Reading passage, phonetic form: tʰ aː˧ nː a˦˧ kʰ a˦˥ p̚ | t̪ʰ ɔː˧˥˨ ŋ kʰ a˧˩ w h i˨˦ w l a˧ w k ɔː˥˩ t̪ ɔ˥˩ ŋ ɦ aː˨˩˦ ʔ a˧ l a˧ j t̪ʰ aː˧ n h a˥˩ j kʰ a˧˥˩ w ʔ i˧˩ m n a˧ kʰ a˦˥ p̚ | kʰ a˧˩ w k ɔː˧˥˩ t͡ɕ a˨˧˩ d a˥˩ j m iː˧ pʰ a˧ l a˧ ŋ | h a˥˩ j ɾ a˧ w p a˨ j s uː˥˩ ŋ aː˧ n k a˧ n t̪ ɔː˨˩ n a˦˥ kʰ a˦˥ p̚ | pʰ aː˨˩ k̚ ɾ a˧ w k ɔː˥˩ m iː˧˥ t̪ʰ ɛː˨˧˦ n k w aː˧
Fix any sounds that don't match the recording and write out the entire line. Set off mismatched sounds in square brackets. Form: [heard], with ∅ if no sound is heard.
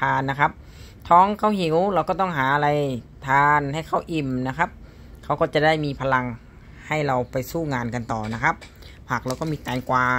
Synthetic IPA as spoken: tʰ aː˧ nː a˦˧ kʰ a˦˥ p̚ | t̪ʰ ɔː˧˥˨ ŋ kʰ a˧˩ w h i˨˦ w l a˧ w k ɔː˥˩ t̪ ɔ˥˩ ŋ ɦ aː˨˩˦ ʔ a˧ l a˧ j t̪ʰ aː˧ n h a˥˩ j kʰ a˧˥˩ w ʔ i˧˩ m n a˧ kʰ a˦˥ p̚ | kʰ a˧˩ w k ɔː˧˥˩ t͡ɕ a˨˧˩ d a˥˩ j m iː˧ pʰ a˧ l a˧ ŋ | h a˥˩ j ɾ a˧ w p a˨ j s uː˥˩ ŋ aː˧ n k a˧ n t̪ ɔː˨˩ n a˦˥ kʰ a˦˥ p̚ | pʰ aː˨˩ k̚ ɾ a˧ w k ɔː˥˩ m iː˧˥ [t̪] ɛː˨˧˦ n k w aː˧